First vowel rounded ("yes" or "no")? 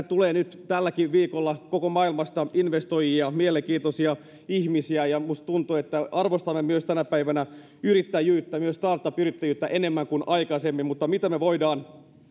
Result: yes